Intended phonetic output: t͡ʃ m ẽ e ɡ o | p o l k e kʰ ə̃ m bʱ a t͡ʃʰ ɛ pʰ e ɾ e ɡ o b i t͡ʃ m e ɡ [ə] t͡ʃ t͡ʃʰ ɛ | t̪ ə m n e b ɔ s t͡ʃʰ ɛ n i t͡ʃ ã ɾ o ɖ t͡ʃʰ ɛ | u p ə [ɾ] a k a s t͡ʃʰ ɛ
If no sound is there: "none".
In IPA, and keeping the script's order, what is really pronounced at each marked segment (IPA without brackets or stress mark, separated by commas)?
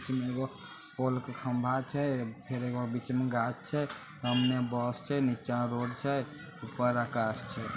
a, ɾ